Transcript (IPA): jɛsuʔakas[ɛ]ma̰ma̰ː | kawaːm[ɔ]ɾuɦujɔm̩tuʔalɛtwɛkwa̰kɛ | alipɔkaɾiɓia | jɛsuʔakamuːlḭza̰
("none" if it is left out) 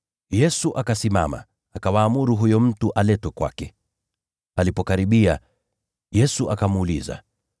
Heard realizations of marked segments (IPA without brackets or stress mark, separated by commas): i, u